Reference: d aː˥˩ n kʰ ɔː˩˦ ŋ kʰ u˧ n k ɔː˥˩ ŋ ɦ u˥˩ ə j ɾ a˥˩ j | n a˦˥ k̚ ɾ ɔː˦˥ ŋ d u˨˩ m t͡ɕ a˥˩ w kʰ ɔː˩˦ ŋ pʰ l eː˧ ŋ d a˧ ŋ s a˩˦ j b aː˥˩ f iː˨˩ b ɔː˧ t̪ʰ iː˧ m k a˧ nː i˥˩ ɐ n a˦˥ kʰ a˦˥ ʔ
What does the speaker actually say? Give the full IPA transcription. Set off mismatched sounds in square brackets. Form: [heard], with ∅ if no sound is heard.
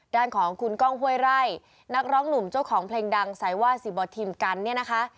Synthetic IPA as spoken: d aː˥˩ n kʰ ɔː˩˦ ŋ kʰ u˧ n k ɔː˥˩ ŋ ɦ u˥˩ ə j ɾ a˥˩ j | n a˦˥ k̚ ɾ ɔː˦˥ ŋ [n] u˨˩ m t͡ɕ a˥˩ w kʰ ɔː˩˦ ŋ pʰ l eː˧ ŋ d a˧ ŋ s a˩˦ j [w] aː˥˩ [s] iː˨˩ b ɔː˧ t̪ʰ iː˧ m k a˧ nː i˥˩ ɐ n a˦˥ kʰ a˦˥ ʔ

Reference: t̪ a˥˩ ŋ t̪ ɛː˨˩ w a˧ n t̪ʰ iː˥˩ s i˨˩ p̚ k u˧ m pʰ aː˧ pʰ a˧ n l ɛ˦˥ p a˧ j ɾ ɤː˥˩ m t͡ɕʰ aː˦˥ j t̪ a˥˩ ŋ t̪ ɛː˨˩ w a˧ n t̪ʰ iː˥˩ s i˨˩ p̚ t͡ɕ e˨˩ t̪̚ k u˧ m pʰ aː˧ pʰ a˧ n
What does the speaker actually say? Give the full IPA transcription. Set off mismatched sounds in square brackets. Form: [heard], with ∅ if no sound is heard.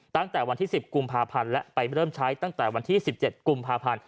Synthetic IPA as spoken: t̪ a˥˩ ŋ t̪ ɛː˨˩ w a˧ n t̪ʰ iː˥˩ s i˨˩ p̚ k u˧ m pʰ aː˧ pʰ a˧ n l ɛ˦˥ p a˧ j ɾ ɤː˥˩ m t͡ɕʰ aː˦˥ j t̪ a˥˩ ŋ t̪ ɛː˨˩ w a˧ n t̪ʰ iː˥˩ s i˨˩ p̚ t͡ɕ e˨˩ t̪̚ k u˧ m pʰ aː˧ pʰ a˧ n

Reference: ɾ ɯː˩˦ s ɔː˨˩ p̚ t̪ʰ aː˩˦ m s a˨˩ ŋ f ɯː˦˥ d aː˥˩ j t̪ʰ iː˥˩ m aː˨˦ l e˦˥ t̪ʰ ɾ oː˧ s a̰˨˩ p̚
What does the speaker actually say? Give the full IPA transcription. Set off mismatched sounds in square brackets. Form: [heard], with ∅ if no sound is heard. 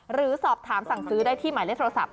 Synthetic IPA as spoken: ɾ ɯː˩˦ s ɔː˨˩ p̚ t̪ʰ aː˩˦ m s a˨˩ ŋ [s] ɯː˦˥ d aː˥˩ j t̪ʰ iː˥˩ m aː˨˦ l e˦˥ t̪ʰ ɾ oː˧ s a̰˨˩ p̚

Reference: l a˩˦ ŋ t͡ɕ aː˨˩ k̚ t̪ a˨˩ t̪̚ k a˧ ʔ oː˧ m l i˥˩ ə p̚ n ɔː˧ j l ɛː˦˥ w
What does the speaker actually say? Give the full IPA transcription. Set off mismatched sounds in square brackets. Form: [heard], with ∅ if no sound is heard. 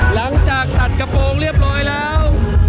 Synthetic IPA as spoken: l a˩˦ ŋ t͡ɕ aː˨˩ k̚ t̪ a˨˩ t̪̚ k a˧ [p] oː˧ [ŋ] l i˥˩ ə p̚ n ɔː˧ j l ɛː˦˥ w

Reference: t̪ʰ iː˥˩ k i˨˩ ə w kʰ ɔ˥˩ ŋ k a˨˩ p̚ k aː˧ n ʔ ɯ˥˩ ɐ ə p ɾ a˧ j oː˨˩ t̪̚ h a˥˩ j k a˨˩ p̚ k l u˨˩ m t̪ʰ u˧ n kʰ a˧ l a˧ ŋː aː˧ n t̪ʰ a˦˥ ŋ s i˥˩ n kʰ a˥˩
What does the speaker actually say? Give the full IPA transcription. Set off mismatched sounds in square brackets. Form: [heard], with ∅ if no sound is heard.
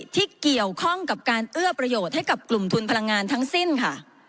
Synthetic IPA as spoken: t̪ʰ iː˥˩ k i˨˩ ə w kʰ ɔ˥˩ ŋ k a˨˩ p̚ k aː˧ n ʔ ɯ˥˩ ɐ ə p ɾ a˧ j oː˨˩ t̪̚ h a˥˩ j k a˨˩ p̚ k l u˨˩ m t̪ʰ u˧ n [pʰ] a˧ l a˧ ŋː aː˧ n t̪ʰ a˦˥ ŋ s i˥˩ n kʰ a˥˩

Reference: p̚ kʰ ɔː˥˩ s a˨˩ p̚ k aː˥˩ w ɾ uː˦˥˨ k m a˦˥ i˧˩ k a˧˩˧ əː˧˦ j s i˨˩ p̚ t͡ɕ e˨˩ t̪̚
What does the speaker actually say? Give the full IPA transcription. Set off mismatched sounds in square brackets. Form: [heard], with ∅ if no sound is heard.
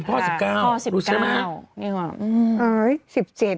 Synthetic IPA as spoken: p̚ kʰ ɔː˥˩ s [i˨˩] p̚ k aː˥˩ w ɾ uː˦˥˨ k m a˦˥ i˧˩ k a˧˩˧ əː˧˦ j s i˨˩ p̚ t͡ɕ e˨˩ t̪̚

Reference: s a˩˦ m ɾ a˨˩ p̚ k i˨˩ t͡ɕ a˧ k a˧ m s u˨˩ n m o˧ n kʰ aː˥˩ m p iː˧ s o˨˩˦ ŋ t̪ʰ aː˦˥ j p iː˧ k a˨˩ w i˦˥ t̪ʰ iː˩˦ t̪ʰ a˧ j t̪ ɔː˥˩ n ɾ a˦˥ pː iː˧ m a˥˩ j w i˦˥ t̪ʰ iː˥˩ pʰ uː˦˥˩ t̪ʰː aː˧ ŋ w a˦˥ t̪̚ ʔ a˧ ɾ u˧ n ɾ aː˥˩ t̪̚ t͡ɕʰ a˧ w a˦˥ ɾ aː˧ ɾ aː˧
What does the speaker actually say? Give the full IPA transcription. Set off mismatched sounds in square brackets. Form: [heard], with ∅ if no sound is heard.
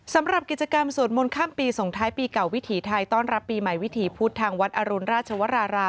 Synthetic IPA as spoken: s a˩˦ m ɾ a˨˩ p̚ k i˨˩ t͡ɕ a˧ k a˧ m s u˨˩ n m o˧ n kʰ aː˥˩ m p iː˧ s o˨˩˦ ŋ t̪ʰ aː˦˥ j p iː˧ k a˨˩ w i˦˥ t̪ʰ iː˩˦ t̪ʰ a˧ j t̪ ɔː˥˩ n ɾ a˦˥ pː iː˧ m [a˨˩] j w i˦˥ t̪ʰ [iː˨˩˦] pʰ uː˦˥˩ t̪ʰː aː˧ ŋ w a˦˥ t̪̚ ʔ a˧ ɾ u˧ n ɾ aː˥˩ t̪̚ t͡ɕʰ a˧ w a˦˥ ɾ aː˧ ɾ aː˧

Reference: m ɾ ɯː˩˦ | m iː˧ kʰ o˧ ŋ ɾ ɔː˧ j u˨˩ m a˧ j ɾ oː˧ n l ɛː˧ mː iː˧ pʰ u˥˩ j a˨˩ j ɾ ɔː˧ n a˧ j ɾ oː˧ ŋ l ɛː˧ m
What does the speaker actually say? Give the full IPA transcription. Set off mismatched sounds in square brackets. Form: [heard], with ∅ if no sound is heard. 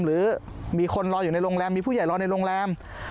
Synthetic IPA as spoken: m ɾ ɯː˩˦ | m iː˧ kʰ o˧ [n] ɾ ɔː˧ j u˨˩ [n] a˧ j ɾ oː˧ [ŋ] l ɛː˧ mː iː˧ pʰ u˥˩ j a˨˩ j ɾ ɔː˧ n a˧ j ɾ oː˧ ŋ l ɛː˧ m

